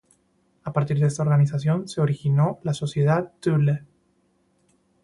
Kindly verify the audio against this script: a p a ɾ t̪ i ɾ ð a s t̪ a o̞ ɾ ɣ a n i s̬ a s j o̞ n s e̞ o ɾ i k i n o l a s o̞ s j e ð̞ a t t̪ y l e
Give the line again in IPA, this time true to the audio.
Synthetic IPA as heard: a p a ɾ t̪ i ɾ ð e s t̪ a o̞ ɾ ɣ a n i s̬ a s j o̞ n s e̞ o ɾ i x i n o l a s o̞ s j e ð̞ a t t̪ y l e